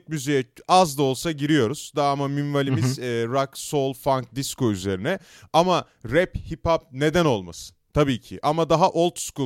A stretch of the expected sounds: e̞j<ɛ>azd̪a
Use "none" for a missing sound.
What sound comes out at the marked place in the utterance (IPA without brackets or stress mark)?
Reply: ɛ